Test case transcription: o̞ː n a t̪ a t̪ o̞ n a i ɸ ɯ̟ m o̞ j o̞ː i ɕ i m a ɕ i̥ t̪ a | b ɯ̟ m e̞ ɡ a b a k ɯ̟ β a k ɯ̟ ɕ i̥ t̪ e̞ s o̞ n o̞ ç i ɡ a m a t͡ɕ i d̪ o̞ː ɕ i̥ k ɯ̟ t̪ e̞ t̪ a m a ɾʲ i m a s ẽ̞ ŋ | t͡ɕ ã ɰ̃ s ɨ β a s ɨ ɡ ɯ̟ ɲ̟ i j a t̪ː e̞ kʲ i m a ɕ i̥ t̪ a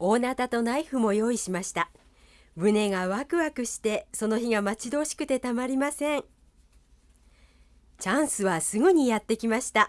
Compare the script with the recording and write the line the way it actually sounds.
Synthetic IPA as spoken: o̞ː n a t̪ a t̪ o̞ n a i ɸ ɯ̟ m o̞ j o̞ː i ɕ i m a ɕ i̥ t̪ a | b ɯ̟ n e̞ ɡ a β a k ɯ̟ β a k ɯ̟ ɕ i̥ t̪ e̞ s o̞ n o̞ ç i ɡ a m a t͡ɕ i d̪ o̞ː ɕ i̥ k ɯ̟ t̪ e̞ t̪ a m a ɾʲ i m a s ẽ̞ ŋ | t͡ɕ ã ɰ̃ s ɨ β a s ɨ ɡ ɯ̟ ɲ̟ i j a t̪ː e̞ kʲ i m a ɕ i̥ t̪ a